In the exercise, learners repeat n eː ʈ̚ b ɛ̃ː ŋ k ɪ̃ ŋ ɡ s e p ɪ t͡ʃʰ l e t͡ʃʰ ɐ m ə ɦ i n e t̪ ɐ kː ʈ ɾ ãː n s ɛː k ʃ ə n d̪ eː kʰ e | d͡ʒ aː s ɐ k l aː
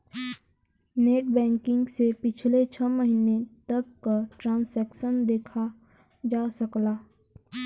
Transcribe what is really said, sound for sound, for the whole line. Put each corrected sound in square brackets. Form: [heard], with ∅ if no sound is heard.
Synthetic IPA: n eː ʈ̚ b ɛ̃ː ŋ k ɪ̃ ŋ ɡ s e p ɪ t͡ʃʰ l e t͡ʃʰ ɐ m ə ɦ i n e t̪ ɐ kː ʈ ɾ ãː n s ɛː k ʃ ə n d̪ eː kʰ [a] | d͡ʒ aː s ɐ k l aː